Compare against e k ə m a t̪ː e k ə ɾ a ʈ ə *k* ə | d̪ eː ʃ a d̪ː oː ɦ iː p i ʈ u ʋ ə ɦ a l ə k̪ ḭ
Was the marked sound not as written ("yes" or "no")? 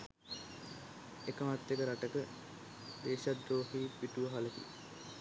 no